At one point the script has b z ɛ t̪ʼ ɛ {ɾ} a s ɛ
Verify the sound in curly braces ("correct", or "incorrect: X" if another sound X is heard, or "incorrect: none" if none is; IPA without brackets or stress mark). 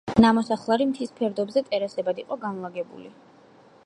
correct